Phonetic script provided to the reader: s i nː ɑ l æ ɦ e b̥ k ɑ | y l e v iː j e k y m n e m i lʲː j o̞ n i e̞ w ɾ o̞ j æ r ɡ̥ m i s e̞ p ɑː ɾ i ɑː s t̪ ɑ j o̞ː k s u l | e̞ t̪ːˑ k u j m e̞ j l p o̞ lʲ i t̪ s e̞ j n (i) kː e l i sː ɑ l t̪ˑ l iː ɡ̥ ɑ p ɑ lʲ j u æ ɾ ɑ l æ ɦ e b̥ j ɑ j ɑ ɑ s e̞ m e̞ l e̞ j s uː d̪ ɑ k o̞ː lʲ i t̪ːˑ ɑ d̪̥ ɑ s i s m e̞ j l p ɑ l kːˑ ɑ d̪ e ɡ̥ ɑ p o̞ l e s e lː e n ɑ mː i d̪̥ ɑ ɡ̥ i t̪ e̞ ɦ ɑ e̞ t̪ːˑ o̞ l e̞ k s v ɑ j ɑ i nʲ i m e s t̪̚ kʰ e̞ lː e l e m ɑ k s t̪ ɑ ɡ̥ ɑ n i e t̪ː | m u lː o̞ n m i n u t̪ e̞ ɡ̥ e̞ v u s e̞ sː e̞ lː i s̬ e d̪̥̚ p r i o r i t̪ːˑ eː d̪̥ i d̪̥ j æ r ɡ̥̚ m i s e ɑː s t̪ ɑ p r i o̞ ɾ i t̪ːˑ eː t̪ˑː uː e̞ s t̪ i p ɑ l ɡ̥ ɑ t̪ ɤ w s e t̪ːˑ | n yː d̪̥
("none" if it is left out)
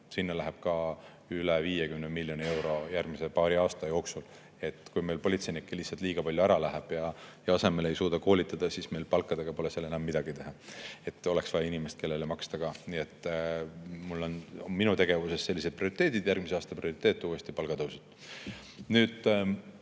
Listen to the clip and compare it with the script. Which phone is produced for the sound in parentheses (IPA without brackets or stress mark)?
i